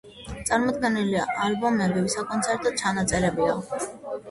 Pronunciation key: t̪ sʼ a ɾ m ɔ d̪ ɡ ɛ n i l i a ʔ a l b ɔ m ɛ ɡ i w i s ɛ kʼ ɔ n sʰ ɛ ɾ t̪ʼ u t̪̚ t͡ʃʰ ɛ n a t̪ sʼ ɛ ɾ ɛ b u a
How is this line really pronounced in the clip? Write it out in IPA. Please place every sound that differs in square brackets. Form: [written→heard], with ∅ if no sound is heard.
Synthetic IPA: t̪ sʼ a ɾ m ɔ d̪ ɡ ɛ n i l i a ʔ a l b ɔ m ɛ [ɡ→b] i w i s [ɛ→a] kʼ ɔ n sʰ ɛ ɾ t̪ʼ [u→ɔ] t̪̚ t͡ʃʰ [ɛ→a] n a t̪ sʼ ɛ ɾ ɛ b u a